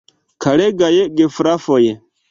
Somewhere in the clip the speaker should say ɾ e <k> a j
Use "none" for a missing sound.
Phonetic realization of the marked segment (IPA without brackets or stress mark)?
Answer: ɡ